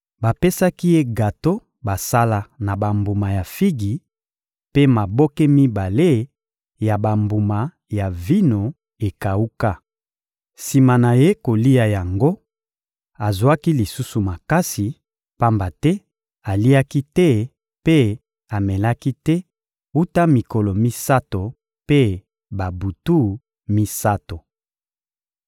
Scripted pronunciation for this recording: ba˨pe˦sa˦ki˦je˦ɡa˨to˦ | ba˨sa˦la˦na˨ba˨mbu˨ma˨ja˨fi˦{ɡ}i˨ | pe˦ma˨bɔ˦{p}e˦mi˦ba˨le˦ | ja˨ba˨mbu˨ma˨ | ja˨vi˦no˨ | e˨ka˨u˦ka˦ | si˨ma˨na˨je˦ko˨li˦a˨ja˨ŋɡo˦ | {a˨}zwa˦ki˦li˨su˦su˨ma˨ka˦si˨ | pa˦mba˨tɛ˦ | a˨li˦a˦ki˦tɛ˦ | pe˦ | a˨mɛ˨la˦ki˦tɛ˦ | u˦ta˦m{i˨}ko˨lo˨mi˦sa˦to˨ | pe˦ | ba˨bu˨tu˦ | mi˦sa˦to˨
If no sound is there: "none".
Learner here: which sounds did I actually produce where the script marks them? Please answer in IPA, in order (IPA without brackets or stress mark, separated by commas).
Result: ɡ, k, a˨, i˨